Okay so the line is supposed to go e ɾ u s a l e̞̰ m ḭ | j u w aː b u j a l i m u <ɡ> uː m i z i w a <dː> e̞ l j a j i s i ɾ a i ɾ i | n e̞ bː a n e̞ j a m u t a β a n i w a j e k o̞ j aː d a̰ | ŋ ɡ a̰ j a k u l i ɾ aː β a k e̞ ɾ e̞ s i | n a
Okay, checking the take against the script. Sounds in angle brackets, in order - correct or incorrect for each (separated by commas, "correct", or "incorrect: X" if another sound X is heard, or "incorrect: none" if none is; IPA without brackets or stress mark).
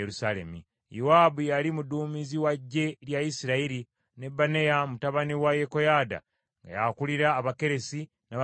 incorrect: d, incorrect: ɟː